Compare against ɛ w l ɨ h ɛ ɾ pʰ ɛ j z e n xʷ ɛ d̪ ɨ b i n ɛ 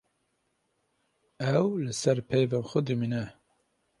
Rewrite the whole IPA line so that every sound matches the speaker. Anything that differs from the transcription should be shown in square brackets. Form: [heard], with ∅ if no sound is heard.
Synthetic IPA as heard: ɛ w l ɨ [s] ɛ ɾ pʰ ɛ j [v] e n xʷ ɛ d̪ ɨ [m] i n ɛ